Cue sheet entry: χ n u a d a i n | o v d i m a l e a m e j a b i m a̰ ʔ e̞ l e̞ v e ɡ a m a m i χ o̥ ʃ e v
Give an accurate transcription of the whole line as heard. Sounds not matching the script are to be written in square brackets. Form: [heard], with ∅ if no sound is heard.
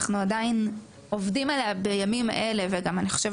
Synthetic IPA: χ n u a d a i n | o v d i m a l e a [b] e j a [m] i m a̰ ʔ e̞ l e̞ v e ɡ a m a [n] i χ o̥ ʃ e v

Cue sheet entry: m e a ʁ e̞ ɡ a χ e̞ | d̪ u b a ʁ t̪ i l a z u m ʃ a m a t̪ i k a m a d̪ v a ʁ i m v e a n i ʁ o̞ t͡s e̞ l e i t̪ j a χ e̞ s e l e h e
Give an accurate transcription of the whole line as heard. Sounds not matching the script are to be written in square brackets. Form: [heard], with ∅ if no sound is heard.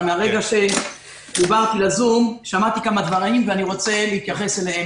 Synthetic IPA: m e a ʁ e̞ ɡ a [ʃ] e̞ | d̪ u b a ʁ t̪ i l a z u m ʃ a m a t̪ i k a m a d̪ v a ʁ i m v e a n i ʁ o̞ t͡s e̞ l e i t̪ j a χ e̞ s e l e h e

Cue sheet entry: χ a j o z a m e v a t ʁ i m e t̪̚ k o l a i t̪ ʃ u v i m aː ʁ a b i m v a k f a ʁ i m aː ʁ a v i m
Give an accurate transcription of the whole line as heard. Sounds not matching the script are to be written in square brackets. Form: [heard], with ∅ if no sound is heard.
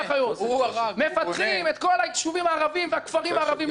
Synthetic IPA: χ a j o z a m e [f] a t [χ] i m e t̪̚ k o l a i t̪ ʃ u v i m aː ʁ a [v] i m v a k f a ʁ i m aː ʁ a v i m

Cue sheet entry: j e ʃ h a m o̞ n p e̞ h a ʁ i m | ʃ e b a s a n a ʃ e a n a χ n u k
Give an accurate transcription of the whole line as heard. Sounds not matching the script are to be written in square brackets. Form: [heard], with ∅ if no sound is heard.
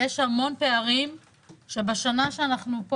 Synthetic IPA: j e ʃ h a m o̞ n p e̞ [∅] a ʁ i m | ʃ e b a [ʃ] a n a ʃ e a n a χ n u [p]

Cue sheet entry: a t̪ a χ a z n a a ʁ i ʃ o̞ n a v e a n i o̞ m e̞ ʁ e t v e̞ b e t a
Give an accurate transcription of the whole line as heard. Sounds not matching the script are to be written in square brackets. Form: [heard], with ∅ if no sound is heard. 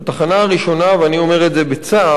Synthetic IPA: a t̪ a χ a [∅] n a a ʁ i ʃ o̞ n a v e a n i o̞ m e̞ ʁ e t [z] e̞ b e [t͡s] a

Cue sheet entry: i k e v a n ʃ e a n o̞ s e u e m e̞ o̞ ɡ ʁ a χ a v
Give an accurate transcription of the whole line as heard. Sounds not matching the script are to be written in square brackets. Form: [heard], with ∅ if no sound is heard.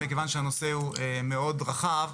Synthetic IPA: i k e v a n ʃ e a n o̞ s e u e m e̞ o̞ [d] ʁ a χ a v

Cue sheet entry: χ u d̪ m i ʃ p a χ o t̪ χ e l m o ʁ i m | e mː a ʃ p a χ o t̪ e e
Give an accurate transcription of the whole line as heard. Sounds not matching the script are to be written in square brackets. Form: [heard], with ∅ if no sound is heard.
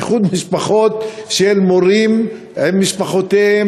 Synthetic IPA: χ u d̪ m i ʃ p a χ o t̪ [ʃ] e l m o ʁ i m | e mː [i] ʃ p a χ o t̪ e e

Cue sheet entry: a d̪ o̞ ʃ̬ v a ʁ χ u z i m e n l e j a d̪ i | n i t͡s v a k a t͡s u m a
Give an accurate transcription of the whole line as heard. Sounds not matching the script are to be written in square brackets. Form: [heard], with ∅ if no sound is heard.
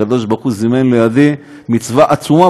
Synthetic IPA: a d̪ o̞ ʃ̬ [b] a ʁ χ u z i m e n l e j a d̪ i | [m] i t͡s v a [ʔ] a t͡s u m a

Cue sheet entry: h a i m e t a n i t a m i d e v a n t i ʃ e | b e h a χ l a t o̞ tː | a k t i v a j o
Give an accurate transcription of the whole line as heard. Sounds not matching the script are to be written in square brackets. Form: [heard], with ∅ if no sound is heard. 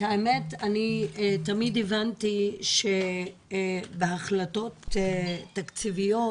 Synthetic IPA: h a [e] m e t a n i t a m i d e v a n t i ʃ e | b e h a χ l a t o̞ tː | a k [t͡s] i v [i] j o

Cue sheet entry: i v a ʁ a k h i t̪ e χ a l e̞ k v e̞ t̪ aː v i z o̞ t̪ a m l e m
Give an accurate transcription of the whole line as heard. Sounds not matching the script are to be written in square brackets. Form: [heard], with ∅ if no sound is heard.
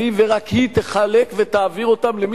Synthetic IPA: i v [e] ʁ a k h i t̪ e χ a l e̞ k v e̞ t̪ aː v i [ʁ] o̞ t̪ a m l e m

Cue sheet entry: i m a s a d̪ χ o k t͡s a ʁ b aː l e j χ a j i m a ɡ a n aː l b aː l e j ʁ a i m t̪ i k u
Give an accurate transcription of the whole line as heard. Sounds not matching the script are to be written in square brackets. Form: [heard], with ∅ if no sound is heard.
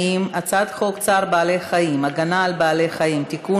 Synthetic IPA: i m a [t͡s] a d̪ χ o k t͡s a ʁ b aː l e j χ a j i m a ɡ a n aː l b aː l e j [χ] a i m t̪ i k u

